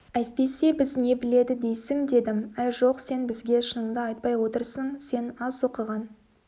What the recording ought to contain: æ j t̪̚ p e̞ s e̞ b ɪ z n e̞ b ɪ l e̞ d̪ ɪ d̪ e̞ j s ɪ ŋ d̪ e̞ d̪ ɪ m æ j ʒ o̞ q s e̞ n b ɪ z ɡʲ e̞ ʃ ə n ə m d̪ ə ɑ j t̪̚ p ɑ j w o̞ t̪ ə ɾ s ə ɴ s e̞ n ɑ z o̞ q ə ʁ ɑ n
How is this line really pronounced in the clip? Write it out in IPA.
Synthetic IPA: æ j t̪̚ p e̞ s e̞ b ɪ z n e̞ b ɪ l e̞ d̪ ɪ d̪ e̞ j s ɪ ŋ d̪ e̞ d̪ ɪ m æ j ʒ o̞ q s e̞ n b ɪ z ɡʲ e̞ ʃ ə n ə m d̪ ə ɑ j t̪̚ p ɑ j w o̞ t̪ ə ɾ s ə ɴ s e̞ n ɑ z o̞ q ə ʁ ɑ n